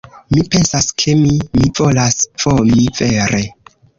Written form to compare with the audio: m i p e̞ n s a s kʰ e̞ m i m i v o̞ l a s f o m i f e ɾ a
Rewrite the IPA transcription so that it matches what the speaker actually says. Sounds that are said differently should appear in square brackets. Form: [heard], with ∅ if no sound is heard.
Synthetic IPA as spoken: m i p e̞ n s a s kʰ e̞ m i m i v o̞ l a s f o m i [v] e ɾ [e]